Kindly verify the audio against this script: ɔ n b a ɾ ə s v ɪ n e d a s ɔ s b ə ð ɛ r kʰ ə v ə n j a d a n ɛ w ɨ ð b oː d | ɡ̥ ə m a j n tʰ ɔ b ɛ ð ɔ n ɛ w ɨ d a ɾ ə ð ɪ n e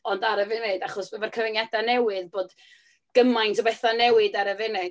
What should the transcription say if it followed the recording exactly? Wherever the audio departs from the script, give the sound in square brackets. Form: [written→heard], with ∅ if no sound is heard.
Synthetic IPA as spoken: ɔ n [b→d] a ɾ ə [s→∅] v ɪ n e d a [s→χ] ɔ s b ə [ð→v] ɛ r kʰ ə v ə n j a d a n ɛ w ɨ ð b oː d | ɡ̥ ə m a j n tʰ ɔ b ɛ [ð→θ] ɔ n ɛ w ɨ d a ɾ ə [ð→v] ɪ n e